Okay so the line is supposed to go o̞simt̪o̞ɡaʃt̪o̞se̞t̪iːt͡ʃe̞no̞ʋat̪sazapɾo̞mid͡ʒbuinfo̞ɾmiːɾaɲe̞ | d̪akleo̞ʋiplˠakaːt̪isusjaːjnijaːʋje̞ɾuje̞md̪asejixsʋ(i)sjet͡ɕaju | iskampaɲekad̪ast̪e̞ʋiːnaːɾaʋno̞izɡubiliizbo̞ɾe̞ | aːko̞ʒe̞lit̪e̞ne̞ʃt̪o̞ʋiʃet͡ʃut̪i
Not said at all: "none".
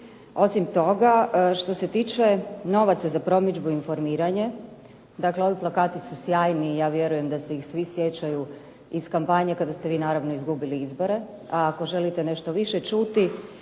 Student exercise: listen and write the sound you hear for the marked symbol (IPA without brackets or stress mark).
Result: i